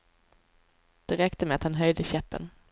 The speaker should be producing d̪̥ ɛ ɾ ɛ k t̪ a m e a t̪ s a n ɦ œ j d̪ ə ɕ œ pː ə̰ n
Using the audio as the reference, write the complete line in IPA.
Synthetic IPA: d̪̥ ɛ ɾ ɛ k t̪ ə m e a t̪ h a n ɦ œ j d̪ ə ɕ ɛ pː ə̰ n

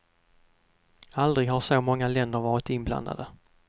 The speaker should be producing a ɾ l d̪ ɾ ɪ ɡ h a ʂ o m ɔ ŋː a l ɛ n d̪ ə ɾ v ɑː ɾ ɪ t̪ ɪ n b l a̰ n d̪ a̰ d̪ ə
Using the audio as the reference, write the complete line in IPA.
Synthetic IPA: a l d̪ ɾ ɪ ɡ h a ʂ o m ɔ ŋː a l ɛ n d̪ ə ɾ v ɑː ɾ ɪ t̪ ɪ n b l a̰ n d̪ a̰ d̪ ə

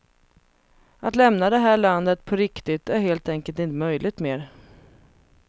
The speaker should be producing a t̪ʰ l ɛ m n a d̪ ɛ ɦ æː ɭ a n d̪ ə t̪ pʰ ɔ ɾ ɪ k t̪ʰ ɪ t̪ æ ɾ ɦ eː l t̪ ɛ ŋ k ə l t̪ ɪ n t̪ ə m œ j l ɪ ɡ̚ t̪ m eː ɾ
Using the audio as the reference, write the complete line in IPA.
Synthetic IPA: a t̪ l ɛ m n a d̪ ɛ ɦ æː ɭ a n d̪ ə t̪ pʰ ɔ ɾ ɪ k t̪ ɪ t̪ æ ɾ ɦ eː l t̪ ɛ ŋ k ə l t̪ ɪ n t̪ ə m œ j l ɪ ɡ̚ t̪ m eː ɾ

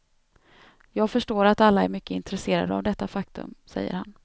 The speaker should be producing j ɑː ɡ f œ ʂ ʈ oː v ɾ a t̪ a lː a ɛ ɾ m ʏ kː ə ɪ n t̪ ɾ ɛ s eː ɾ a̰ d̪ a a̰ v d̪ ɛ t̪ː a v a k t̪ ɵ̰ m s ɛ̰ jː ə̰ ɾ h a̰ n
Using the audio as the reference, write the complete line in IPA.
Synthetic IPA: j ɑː ɡ f œ ʂ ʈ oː ɾ a t̪ a lː a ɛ ɾ m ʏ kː ə ɪ n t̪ ɾ ɛ s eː ɾ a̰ d̪ ə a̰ v d̪ ɛ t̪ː a f a k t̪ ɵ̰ m s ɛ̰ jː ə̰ ɾ h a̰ n

